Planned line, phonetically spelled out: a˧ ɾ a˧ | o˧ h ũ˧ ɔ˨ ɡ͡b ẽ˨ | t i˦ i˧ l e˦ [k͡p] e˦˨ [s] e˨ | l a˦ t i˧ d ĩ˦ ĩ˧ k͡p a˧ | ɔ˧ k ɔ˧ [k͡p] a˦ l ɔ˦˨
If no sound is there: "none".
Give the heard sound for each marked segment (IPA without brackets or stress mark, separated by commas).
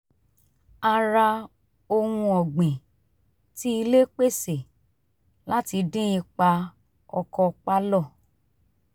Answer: k͡p, s, k͡p